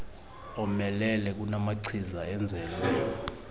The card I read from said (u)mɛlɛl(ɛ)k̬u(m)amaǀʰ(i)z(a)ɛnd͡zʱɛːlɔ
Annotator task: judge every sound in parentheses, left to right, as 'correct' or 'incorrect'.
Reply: incorrect: ɔ, correct, incorrect: n, correct, correct

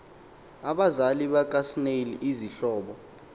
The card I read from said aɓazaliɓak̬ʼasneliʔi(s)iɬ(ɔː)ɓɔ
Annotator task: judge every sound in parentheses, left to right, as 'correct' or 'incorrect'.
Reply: incorrect: z, correct

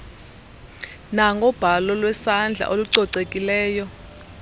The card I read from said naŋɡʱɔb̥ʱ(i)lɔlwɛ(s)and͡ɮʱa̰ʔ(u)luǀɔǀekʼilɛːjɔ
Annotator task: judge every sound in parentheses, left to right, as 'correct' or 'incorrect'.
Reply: incorrect: a, correct, incorrect: o

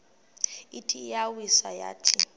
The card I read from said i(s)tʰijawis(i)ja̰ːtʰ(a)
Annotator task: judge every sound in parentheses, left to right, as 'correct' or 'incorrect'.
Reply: incorrect: none, incorrect: a, incorrect: i

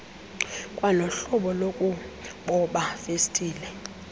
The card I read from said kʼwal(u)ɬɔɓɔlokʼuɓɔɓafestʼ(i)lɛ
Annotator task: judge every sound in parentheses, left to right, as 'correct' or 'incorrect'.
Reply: incorrect: ɔ, incorrect: iː

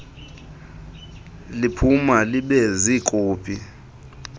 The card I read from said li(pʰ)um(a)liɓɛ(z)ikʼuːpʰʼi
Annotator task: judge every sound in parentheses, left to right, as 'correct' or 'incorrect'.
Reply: correct, correct, correct

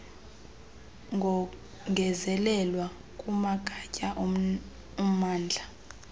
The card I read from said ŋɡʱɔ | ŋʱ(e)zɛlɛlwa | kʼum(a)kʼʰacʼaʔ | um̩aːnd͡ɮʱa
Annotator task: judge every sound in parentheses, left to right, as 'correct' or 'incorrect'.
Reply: incorrect: ɛ, correct

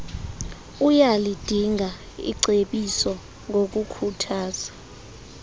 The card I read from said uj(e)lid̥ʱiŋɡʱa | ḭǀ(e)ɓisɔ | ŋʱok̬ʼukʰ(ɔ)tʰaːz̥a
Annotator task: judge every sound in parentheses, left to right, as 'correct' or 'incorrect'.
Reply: incorrect: a, correct, incorrect: u

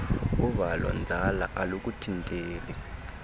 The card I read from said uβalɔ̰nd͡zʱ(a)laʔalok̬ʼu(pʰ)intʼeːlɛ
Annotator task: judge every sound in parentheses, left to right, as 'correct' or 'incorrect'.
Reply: correct, incorrect: tʰ

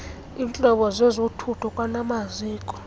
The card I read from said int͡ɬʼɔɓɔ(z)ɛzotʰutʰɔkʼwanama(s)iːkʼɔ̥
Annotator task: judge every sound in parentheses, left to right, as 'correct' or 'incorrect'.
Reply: correct, incorrect: z

